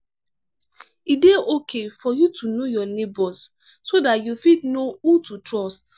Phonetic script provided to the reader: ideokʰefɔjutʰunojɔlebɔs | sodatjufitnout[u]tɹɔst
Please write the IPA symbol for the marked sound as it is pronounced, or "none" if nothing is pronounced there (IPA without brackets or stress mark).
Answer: u